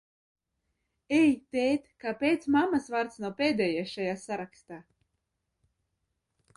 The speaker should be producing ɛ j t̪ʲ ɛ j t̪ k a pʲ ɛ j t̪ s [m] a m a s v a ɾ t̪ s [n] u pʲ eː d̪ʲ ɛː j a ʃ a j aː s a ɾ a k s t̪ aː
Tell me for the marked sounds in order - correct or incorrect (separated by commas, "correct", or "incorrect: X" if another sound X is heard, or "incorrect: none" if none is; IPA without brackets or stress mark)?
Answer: correct, correct